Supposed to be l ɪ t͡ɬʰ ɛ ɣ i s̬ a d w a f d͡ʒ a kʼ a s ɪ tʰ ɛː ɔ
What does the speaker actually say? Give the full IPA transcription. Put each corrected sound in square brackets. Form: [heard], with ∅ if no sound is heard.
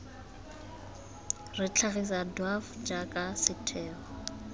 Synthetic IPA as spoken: [r] ɪ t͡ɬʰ [a] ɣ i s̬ a d w a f d͡ʒ a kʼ a s ɪ tʰ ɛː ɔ